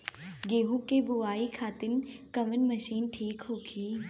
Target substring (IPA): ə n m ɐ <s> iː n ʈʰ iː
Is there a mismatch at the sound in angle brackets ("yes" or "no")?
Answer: yes